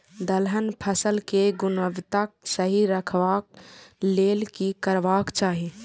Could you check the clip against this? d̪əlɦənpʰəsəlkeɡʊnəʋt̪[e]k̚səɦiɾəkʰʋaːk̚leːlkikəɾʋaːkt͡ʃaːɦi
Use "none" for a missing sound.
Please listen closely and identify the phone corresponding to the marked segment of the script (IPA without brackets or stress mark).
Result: a